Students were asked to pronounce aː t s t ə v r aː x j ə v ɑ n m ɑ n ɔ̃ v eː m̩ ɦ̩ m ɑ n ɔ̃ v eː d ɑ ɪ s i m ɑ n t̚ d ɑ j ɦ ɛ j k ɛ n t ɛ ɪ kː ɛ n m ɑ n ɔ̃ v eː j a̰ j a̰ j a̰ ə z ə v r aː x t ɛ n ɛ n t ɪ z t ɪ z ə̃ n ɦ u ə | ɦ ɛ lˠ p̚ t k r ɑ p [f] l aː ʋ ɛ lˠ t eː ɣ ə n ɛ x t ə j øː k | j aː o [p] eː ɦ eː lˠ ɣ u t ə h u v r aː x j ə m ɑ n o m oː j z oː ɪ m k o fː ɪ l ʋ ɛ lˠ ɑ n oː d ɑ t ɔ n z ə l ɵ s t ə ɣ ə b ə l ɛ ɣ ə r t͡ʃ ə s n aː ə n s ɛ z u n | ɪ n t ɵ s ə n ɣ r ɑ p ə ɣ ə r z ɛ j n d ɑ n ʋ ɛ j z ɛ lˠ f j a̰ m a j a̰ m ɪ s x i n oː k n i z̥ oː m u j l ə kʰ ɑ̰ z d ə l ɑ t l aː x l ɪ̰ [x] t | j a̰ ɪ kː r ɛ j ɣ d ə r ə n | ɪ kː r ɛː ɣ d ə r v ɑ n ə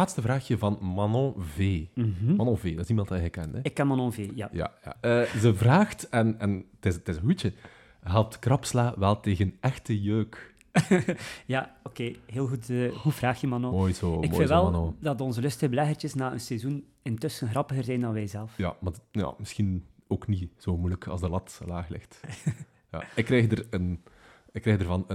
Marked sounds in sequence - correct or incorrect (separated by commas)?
incorrect, incorrect, correct